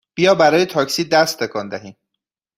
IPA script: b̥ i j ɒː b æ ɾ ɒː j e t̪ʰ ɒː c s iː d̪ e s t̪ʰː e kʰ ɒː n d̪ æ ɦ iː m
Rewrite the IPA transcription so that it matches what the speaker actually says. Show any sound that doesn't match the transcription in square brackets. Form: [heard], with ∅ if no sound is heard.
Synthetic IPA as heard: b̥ i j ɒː b æ ɾ ɒː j e t̪ʰ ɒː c s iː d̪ [æ] s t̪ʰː e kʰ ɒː n d̪ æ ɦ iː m